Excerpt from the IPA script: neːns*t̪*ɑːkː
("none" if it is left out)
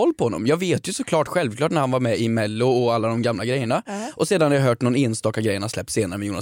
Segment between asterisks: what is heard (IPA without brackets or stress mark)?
t̪